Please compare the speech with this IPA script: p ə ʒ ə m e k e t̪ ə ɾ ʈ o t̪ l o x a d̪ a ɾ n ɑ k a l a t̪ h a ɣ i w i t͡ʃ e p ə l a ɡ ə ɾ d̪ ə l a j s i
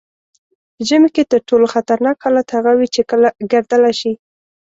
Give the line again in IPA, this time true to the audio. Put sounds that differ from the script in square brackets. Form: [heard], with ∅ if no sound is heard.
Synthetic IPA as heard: p ə ʒ ə m e k e t̪ ə ɾ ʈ o [∅] l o x a [t̪] a ɾ n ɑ k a l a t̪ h a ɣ [a] w i t͡ʃ e [k] ə l a ɡ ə ɾ d̪ ə l a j [ʃ] i